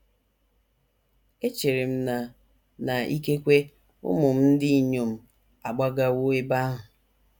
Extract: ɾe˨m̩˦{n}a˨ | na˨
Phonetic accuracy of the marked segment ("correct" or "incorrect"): correct